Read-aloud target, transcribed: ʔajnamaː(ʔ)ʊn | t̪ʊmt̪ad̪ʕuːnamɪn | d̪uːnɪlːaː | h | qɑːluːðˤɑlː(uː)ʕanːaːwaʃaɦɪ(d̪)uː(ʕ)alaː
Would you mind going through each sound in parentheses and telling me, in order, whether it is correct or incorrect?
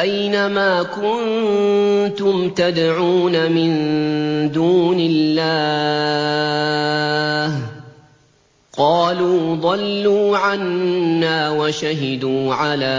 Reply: incorrect: k, correct, correct, correct

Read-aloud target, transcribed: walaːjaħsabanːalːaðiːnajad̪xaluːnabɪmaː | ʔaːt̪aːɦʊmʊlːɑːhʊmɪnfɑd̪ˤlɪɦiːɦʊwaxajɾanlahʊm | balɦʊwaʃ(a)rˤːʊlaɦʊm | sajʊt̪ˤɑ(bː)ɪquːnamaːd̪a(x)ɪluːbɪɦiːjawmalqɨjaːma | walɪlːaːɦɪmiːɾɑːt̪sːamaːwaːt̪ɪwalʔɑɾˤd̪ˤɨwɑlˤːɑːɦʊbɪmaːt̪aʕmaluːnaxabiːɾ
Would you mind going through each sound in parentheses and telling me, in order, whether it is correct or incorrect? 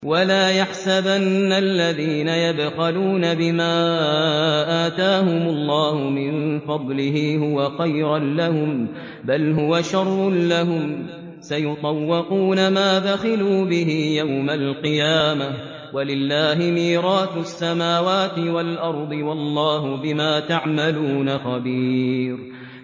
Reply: incorrect: ɑ, incorrect: wː, correct

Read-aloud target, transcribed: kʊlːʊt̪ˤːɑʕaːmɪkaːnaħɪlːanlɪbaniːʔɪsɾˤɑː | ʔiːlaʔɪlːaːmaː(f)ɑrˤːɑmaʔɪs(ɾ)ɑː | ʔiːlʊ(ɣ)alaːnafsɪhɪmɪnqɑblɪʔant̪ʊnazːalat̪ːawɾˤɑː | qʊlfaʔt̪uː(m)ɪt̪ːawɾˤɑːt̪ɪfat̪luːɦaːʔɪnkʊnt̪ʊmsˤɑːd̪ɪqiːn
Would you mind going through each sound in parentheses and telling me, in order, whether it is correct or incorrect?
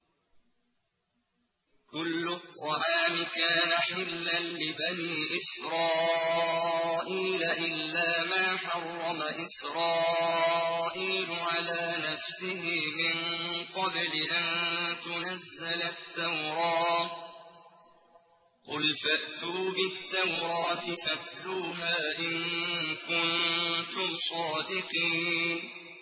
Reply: incorrect: ħ, correct, incorrect: ʕ, incorrect: b

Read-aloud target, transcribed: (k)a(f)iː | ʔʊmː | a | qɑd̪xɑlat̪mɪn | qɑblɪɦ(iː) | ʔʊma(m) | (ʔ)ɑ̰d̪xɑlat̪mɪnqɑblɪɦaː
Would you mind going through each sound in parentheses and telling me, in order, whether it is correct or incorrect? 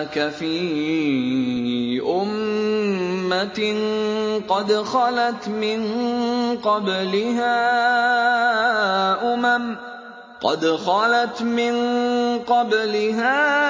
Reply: correct, correct, incorrect: aː, correct, incorrect: q

